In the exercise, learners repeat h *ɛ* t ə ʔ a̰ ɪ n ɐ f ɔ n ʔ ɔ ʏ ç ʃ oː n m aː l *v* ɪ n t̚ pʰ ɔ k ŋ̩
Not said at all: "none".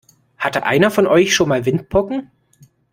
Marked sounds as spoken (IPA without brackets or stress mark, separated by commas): a, v